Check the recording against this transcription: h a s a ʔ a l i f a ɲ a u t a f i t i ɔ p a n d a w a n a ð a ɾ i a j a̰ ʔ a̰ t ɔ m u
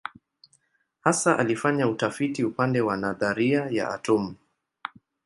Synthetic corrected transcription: h a s a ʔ a l i f a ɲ a u t a f i t i u p a n d ɛ w a n a ð a ɾ i a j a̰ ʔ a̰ t ɔ m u